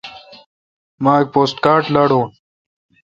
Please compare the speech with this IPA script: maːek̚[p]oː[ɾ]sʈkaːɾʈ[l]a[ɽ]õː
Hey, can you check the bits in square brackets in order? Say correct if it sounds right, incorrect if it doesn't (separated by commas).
correct, incorrect, correct, correct